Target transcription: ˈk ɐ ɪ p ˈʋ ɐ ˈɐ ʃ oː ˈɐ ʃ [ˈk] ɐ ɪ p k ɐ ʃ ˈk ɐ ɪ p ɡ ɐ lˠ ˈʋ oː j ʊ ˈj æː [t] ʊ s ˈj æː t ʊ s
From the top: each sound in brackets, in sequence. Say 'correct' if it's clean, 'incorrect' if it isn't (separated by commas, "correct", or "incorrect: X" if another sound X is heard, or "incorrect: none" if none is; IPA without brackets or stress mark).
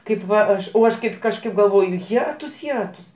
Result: correct, correct